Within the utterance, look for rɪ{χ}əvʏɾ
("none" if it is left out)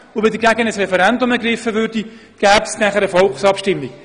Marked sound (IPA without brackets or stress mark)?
f